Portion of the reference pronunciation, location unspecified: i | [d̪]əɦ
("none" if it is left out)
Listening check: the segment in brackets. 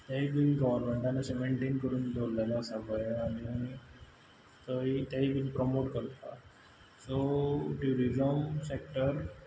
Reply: t̪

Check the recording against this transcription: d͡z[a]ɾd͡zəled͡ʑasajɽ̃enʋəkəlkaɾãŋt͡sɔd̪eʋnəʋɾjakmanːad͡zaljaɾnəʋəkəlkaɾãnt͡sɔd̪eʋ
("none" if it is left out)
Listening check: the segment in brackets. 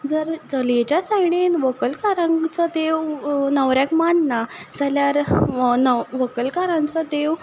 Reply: ə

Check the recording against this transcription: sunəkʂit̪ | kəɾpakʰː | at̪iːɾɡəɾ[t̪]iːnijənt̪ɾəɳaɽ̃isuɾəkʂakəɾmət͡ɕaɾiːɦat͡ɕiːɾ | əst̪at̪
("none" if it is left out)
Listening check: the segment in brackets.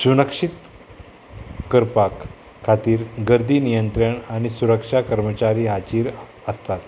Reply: d̪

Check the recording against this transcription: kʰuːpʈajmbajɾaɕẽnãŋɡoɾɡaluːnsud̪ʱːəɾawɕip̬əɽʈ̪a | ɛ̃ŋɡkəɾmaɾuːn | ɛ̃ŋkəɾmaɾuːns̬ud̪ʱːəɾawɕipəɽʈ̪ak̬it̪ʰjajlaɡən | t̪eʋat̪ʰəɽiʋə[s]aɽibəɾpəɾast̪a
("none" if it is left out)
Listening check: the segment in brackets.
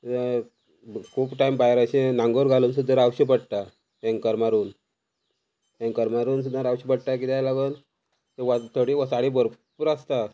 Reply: s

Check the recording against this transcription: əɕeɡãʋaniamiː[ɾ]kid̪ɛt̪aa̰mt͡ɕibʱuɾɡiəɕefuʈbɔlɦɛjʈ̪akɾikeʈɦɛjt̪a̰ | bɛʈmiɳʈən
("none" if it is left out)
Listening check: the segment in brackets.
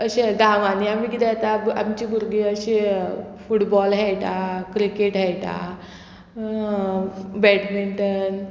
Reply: none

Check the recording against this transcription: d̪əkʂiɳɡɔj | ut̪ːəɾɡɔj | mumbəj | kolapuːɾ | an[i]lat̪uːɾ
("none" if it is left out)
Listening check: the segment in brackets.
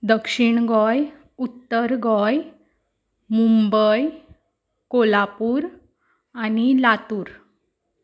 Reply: i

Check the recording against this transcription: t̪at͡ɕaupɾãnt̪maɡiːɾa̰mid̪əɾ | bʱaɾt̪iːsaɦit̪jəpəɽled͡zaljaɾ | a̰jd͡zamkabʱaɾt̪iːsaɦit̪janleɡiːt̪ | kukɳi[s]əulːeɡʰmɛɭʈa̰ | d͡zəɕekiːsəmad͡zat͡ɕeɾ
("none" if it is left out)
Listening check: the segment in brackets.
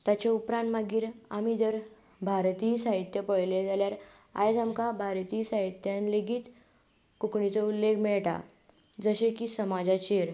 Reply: t͡s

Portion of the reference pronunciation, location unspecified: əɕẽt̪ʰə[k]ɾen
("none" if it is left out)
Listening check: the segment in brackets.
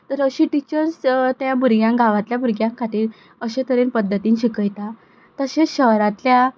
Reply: none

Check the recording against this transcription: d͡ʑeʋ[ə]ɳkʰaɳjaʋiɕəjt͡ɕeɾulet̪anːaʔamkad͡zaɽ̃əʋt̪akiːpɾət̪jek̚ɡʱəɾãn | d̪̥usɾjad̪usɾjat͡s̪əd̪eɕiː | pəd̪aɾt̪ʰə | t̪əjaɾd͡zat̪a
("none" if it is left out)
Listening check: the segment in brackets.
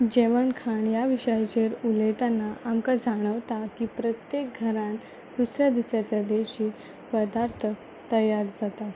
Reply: ə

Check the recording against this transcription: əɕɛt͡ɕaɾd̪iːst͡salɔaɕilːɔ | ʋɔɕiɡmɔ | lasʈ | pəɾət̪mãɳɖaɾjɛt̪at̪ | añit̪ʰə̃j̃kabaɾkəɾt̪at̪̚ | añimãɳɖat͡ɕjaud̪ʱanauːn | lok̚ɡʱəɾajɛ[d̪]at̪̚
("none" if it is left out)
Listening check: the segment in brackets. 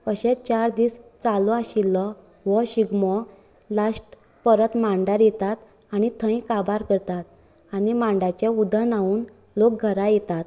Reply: t̪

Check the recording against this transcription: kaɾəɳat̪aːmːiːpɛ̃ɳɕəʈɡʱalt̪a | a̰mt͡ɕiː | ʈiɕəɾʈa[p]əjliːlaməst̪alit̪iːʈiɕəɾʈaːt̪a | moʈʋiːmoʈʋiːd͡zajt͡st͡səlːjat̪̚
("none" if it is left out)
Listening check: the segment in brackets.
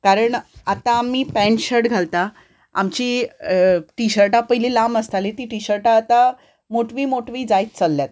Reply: p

